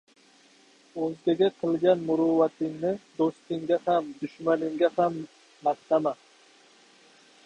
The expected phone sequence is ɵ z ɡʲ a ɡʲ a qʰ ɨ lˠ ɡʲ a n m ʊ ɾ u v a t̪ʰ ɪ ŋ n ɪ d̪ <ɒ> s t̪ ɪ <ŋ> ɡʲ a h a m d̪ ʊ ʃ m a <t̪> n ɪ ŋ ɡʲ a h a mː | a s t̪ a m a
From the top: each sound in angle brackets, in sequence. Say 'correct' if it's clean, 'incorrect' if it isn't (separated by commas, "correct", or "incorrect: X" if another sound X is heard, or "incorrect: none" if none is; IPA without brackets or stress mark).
incorrect: o, correct, incorrect: none